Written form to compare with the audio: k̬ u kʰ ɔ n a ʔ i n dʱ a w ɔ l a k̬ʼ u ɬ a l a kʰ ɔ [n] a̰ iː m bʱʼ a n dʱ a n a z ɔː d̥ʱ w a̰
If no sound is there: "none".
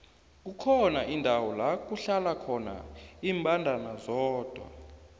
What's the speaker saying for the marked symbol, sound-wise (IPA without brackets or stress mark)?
n